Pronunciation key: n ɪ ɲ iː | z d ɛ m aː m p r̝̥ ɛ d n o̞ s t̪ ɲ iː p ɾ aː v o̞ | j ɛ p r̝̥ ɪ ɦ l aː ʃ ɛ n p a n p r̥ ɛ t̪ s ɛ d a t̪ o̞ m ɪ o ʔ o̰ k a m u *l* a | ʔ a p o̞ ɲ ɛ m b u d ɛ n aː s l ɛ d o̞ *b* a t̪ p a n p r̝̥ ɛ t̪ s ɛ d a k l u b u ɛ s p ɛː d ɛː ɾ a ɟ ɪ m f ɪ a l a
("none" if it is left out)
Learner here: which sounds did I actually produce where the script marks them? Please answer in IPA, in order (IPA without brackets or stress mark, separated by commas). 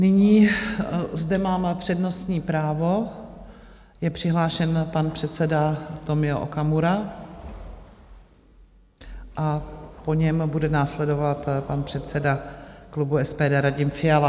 ɾ, v